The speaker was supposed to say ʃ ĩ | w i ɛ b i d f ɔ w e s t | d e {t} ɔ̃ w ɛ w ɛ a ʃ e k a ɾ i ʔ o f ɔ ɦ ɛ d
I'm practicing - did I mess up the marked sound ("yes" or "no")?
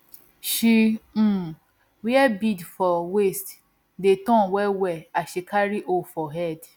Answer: no